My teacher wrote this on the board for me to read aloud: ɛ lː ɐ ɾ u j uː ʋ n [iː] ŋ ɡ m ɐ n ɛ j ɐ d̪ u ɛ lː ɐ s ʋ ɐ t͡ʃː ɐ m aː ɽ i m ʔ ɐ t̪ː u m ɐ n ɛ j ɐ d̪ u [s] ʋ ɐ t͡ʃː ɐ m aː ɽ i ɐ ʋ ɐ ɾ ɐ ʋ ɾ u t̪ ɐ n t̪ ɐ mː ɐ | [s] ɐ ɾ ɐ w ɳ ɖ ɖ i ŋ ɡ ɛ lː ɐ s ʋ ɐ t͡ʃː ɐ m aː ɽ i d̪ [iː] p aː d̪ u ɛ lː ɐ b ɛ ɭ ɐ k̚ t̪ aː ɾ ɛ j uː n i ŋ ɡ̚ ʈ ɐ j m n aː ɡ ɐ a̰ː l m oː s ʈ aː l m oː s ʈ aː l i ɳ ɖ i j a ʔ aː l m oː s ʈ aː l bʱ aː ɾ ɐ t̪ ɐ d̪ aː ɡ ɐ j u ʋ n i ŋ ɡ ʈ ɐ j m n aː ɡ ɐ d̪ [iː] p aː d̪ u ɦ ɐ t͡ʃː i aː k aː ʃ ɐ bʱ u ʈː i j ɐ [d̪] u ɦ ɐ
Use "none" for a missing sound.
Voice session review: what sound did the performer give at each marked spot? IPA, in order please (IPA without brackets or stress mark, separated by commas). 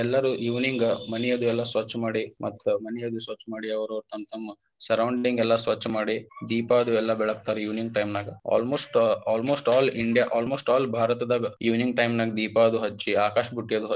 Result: i, s, s, iː, iː, d̪